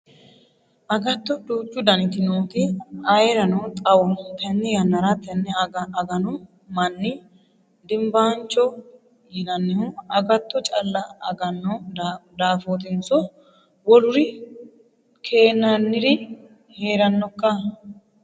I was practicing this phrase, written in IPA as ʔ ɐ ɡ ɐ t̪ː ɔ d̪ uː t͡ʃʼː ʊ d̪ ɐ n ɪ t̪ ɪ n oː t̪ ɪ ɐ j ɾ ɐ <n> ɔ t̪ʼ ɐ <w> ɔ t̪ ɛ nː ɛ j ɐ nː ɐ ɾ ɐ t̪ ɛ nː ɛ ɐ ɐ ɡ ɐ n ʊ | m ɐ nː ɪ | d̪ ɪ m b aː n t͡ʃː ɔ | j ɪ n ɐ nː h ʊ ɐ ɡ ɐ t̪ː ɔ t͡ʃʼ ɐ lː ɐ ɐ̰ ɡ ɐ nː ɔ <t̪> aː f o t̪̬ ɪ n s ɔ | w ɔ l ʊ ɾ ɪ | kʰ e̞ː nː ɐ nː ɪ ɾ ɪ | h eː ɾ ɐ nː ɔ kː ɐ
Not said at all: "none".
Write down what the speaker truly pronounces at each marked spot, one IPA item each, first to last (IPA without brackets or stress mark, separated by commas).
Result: n, w, d̪